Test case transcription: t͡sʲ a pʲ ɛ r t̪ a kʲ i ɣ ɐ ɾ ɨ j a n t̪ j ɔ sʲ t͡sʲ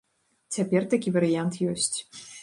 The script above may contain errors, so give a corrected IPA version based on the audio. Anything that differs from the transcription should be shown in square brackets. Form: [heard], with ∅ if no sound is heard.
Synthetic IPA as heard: t͡sʲ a pʲ ɛ r t̪ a kʲ i [v] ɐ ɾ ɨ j a n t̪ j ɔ sʲ t͡sʲ